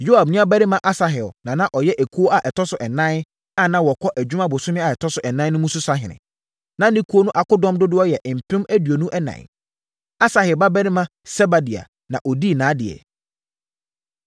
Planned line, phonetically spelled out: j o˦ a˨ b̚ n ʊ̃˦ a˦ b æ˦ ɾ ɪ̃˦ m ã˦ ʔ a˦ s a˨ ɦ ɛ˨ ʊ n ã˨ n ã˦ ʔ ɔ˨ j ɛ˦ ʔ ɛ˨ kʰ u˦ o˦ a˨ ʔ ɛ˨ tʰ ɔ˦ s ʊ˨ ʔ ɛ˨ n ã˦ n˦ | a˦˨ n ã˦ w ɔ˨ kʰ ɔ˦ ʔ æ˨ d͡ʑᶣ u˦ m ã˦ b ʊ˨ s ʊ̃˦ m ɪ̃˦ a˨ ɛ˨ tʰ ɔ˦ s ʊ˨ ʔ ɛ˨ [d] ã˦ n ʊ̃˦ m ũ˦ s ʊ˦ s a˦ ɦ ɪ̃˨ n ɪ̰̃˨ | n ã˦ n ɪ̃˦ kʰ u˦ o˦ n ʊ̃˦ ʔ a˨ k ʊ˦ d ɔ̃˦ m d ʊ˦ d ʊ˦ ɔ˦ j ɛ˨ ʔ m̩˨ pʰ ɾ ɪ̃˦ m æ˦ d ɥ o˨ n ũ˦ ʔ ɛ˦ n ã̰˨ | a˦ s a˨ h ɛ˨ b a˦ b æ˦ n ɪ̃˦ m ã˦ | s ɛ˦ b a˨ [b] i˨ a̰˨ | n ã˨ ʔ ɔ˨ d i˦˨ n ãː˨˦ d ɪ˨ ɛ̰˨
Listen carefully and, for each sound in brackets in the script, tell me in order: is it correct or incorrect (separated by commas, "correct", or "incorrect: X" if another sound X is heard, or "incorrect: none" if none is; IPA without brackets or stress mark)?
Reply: incorrect: n, incorrect: d